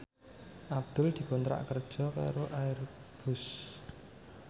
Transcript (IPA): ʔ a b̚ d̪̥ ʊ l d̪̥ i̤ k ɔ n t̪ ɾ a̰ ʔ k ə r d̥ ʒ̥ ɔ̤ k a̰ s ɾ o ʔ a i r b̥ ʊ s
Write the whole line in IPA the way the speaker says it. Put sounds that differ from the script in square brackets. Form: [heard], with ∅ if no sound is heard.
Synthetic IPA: ʔ a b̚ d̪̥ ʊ l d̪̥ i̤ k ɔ n t̪ ɾ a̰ ʔ k ə r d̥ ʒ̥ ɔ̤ k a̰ [∅] ɾ o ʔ a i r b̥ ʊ s